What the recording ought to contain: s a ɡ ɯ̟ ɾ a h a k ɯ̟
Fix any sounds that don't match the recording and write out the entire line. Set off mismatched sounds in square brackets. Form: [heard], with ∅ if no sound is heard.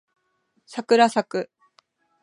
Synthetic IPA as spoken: s a [k] ɯ̟ ɾ a [s] a k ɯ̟